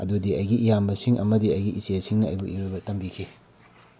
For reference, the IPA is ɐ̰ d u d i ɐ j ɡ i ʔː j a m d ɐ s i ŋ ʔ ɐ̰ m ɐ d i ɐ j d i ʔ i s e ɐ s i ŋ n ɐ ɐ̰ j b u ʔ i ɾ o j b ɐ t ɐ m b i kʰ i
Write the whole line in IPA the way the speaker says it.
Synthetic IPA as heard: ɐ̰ d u d i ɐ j ɡ i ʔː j a m b ɐ s i ŋ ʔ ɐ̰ m ɐ d i ɐ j ɡ i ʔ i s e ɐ s i ŋ n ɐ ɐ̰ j b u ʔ i ɾ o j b ɐ t ɐ m b i kʰ i